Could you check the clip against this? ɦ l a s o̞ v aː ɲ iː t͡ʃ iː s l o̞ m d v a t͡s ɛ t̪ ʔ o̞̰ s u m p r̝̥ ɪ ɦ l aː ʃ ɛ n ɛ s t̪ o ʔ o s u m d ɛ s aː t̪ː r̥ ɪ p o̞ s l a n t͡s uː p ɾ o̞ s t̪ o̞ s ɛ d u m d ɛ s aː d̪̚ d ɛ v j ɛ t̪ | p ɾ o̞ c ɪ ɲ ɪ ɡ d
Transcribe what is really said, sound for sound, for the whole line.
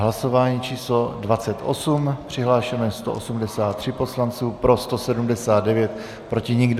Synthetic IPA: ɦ l a s o̞ v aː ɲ iː t͡ʃ iː s l o̞ d v a t͡s ɛ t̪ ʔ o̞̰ s u m p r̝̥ ɪ ɦ l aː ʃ ɛ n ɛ s t̪ o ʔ o s u m d ɛ s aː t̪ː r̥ ɪ p o̞ s l a n t͡s uː p ɾ o̞ s t̪ o̞ s ɛ d u m d ɛ s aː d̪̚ d ɛ v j ɛ t̪ | p ɾ o̞ c ɪ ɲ ɪ ɡ d